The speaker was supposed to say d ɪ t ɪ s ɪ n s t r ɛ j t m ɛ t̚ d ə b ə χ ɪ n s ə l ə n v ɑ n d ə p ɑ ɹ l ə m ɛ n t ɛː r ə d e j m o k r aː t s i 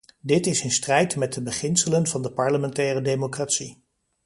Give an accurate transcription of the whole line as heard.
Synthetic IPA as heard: d ɪ t ɪ s ɪ n s t r ɛ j t m ɛ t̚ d ə b ə χ ɪ n s ə l ə n v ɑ n d ə p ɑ ɹ l ə m ɛ n t ɛː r ə d e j m o k r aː t s i